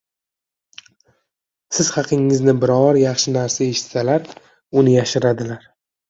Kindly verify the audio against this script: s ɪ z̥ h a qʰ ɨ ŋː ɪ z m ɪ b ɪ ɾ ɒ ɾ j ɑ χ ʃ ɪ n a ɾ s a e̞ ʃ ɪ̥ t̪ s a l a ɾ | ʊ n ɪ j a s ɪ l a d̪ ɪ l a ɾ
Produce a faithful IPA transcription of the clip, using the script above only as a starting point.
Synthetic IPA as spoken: s ɪ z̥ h ɑ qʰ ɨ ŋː ɪ z n ɪ b ɪ ɾ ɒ ɾ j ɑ χ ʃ ɪ n a ɾ s a e̞ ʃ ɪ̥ t̪ s a l a ɾ | ʊ n ɪ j a ʃ ɪ ɾ a d̪ ɪ l a ɾ